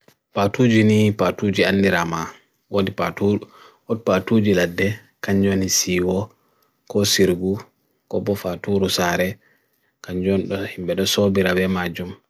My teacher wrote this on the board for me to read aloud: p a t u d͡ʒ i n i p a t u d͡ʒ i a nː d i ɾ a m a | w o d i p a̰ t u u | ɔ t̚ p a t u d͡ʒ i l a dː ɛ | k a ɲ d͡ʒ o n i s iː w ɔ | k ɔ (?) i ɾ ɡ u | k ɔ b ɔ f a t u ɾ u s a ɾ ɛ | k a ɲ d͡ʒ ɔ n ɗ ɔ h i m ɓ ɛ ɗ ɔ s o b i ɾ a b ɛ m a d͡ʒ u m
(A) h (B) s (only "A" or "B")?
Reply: B